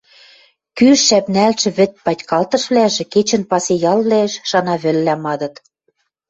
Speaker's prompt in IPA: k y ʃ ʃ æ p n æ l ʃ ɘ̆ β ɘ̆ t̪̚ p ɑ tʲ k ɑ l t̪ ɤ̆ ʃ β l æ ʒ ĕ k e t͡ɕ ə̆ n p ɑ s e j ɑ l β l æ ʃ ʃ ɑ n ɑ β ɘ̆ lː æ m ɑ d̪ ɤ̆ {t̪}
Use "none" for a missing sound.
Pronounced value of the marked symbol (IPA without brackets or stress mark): t̪